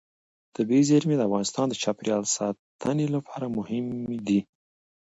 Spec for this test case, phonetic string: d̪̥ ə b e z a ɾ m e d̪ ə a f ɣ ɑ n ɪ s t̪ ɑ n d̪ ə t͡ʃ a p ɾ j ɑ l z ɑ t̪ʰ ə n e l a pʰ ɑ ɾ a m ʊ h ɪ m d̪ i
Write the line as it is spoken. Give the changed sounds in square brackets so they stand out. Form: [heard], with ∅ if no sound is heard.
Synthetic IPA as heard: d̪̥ ə b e z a ɾ m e d̪ ə a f ɣ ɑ n ɪ s t̪ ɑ n d̪ ə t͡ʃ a p ɾ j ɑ l [s] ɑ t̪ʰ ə n e l a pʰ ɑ ɾ a m ʊ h ɪ m d̪ i